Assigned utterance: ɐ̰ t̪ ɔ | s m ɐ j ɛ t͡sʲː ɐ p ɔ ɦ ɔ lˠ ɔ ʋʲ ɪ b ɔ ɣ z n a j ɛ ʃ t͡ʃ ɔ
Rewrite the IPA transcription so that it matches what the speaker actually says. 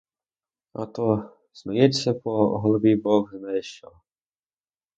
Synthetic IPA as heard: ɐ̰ t̪ ɔ | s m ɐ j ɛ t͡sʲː ɐ p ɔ ɦ ɔ lˠ ɔ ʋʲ i b ɔ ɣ z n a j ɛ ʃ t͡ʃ ɔ